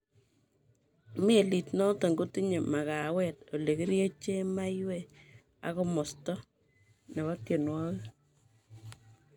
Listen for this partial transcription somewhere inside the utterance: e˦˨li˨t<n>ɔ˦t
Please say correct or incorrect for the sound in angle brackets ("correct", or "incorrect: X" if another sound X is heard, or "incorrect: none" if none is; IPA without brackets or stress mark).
correct